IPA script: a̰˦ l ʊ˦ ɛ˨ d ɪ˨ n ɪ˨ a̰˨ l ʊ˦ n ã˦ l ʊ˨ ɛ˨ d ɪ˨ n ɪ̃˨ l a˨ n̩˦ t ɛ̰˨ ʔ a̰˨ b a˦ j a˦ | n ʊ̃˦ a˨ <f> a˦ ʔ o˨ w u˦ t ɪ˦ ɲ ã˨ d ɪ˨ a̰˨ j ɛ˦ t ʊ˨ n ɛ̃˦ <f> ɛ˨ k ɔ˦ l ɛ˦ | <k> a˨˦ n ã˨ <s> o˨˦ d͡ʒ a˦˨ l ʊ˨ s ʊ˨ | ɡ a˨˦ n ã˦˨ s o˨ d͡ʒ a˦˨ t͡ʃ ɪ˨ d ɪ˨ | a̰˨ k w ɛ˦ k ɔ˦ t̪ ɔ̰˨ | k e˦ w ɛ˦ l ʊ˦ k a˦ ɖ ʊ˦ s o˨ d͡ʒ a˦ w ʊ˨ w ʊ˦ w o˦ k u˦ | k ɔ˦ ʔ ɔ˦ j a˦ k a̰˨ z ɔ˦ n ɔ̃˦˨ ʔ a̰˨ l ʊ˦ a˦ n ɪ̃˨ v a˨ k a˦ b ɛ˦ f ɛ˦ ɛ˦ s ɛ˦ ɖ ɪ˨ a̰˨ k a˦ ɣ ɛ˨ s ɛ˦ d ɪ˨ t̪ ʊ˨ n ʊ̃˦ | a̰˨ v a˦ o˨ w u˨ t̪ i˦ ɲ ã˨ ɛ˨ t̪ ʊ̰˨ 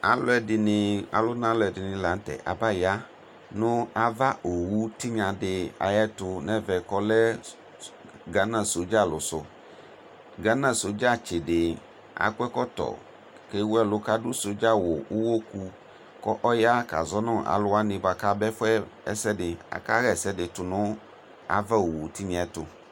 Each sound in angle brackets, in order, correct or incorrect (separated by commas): incorrect, incorrect, incorrect, correct